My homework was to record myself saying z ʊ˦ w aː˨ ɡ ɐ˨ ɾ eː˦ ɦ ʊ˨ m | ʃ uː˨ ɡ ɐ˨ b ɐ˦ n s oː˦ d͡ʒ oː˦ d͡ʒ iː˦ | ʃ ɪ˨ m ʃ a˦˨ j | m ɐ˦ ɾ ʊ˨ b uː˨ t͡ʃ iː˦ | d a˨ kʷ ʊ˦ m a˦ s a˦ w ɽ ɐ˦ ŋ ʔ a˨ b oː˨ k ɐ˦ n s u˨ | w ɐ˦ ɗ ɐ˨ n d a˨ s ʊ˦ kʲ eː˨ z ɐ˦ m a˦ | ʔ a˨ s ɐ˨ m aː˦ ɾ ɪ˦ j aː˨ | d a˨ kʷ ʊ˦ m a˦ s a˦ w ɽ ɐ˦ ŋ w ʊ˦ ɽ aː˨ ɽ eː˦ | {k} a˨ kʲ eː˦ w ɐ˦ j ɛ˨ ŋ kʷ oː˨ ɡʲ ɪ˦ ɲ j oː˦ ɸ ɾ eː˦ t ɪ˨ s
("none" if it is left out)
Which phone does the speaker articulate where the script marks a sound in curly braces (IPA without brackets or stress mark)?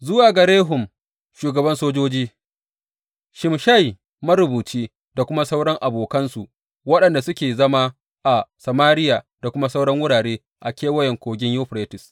ʔ